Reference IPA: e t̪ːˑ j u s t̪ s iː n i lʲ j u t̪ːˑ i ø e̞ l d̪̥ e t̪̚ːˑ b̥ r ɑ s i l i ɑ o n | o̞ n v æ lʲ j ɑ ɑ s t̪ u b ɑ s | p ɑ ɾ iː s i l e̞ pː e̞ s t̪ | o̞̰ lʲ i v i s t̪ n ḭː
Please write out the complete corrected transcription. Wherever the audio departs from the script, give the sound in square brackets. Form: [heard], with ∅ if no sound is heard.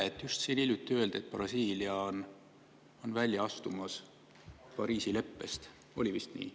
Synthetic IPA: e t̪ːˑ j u s t̪ s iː n i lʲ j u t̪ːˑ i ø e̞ l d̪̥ e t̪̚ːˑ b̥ r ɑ s [iː] l i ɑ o n | o̞ n v æ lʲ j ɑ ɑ s t̪ u [m] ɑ s | p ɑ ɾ iː s i l e̞ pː e̞ s t̪ | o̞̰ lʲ i v i s t̪ n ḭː